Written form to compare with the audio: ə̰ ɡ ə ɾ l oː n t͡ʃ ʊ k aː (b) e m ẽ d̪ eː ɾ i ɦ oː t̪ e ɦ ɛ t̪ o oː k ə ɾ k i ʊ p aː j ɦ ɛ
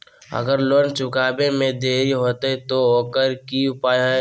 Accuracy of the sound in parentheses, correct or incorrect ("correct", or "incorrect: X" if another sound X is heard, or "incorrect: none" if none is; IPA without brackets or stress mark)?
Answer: correct